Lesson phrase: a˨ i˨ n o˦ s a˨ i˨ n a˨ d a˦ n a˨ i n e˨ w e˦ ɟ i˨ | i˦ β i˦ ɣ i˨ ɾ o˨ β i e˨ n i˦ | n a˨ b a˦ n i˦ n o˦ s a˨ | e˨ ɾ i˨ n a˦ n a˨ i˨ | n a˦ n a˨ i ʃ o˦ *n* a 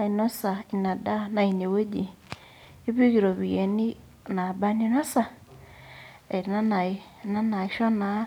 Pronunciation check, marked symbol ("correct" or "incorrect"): correct